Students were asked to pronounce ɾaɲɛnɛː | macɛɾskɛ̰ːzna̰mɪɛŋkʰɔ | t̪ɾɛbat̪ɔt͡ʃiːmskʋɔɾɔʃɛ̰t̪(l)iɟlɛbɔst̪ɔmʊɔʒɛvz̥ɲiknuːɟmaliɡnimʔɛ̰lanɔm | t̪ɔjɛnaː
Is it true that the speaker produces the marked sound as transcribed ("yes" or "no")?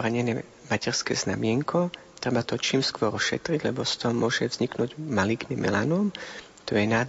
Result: no